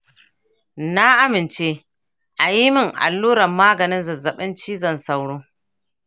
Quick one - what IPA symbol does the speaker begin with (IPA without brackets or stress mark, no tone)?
n